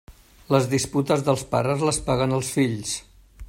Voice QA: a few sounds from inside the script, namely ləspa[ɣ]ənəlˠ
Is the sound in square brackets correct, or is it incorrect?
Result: correct